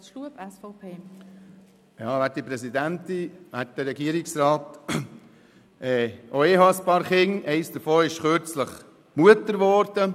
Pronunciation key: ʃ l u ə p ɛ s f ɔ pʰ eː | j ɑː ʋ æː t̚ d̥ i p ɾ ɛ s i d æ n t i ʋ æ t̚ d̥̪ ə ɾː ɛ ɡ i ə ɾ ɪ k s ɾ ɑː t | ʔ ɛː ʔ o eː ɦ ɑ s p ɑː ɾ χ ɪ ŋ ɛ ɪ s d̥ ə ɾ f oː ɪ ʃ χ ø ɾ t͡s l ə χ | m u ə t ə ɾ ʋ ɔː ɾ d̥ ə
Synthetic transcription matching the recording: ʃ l u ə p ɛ s f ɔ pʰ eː | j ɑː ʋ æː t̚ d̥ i p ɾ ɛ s i d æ n t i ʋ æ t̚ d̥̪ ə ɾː ɛ ɡ i ə ɾ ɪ k s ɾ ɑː t | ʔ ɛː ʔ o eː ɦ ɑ s p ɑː ɾ χ ɪ ŋ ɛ ɪ s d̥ ə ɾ f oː ɪ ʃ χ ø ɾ t͡s l ə χ | m u ə t ə ɾ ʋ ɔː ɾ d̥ ə